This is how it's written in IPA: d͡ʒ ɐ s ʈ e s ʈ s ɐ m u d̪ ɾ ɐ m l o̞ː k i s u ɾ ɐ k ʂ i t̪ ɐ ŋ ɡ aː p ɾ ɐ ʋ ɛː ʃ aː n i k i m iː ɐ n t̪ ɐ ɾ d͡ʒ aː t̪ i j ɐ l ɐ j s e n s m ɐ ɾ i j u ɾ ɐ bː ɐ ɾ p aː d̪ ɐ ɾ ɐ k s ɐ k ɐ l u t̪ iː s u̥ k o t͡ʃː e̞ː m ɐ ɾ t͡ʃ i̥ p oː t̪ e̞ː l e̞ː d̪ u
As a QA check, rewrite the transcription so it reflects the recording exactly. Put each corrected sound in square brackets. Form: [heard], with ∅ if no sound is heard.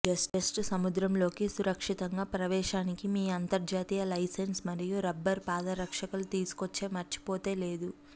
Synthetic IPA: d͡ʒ ɐ s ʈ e s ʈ s ɐ m u d̪ ɾ ɐ m l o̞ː k i s u ɾ ɐ k ʂ i t̪ ɐ ŋ ɡ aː p ɾ ɐ ʋ ɛː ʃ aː n i k i m iː ɐ n t̪ ɐ ɾ d͡ʒ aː t̪ i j ɐ l ɐ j s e n s m ɐ ɾ i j u ɾ ɐ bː ɐ ɾ p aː d̪ ɐ ɾ ɐ k [ʂ] ɐ k ɐ l u t̪ iː s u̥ k o t͡ʃː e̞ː m ɐ ɾ t͡ʃ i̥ p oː t̪ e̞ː l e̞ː d̪ u